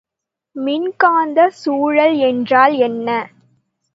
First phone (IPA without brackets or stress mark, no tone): m